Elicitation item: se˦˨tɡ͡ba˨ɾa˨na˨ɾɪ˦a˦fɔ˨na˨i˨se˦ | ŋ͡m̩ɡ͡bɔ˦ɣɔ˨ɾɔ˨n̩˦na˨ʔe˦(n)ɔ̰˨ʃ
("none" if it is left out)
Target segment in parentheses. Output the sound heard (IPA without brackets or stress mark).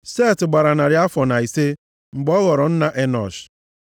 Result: n